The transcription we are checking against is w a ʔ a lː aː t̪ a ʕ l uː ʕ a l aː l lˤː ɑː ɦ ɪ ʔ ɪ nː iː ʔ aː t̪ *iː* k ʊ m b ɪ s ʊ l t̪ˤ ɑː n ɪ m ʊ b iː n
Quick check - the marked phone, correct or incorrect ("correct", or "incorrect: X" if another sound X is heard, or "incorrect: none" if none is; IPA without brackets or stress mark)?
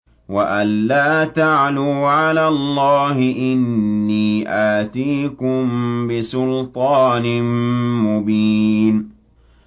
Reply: correct